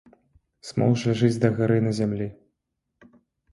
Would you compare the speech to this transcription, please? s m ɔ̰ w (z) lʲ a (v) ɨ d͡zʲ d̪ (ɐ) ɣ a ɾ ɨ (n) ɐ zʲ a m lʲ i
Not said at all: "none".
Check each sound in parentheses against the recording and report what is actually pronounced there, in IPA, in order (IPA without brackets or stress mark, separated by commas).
ʐ, ʐ, ɐ, n